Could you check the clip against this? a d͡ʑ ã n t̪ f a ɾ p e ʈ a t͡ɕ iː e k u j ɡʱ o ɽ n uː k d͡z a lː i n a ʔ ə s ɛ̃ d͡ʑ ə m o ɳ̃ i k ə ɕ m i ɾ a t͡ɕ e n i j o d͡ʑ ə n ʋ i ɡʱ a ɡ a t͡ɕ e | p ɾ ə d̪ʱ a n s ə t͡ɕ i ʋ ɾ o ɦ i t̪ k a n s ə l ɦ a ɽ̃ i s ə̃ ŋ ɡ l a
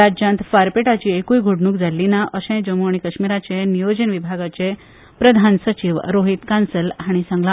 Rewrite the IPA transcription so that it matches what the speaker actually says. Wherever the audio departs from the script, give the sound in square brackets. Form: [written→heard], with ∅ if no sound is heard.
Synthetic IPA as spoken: a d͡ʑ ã n t̪ f a ɾ p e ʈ a t͡ɕ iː e k u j ɡʱ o ɽ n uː k d͡z a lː i n a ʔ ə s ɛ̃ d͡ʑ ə m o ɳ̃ i k ə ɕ m i ɾ a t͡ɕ e n i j o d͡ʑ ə n ʋ i [ɡʱ→bʱ] a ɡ a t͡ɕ e | p ɾ ə d̪ʱ a n s ə t͡ɕ i ʋ ɾ o ɦ i t̪ k a n s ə l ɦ a ɽ̃ i s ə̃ ŋ ɡ l a